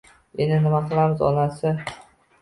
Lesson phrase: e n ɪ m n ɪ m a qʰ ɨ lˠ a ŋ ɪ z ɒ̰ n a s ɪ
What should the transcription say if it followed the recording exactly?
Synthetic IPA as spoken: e n ɪ n ɪ m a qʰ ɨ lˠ a m ɪ z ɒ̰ n a s ɪ